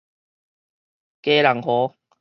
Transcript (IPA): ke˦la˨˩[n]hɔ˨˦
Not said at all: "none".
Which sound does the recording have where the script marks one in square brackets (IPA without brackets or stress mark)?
ŋ